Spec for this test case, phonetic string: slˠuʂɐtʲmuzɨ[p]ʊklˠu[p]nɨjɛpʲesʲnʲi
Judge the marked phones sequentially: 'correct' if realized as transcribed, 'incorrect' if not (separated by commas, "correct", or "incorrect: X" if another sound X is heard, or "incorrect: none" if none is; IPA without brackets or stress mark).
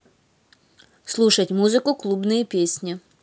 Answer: incorrect: k, incorrect: b